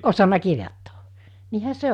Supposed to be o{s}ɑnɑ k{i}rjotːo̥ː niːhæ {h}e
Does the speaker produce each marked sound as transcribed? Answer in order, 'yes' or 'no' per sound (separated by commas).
yes, yes, no